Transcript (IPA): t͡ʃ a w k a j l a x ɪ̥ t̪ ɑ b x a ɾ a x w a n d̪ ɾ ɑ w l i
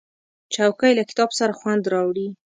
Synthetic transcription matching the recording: t͡ʃ a w k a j l a k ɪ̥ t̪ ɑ b s a ɾ a x w a n d̪ ɾ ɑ w ɽ i